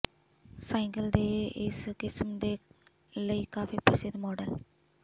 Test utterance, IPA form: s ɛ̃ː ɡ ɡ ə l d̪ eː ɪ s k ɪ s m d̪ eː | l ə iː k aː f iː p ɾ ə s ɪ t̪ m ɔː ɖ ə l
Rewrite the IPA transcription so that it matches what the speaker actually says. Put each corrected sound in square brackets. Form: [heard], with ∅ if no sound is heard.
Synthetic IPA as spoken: s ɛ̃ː [ŋ] ɡ ə l d̪ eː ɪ s k ɪ s m d̪ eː | l ə iː k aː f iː p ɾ ə s ɪ [d̪] m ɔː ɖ ə l